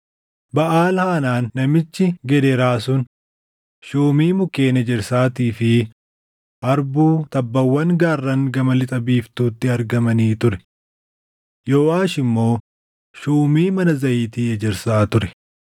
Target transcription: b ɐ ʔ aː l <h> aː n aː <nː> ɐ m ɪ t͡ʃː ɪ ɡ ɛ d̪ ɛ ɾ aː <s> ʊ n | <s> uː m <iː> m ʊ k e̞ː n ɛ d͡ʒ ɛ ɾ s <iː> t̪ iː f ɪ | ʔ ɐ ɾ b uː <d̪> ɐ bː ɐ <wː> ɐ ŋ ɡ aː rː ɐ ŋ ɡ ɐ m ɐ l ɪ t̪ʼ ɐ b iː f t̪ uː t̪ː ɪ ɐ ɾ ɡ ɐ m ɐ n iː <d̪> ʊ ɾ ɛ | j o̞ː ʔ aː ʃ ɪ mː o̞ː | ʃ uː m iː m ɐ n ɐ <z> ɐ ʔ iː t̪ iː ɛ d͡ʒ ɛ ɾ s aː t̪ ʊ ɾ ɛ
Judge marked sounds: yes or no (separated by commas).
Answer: yes, yes, yes, no, yes, no, no, yes, no, yes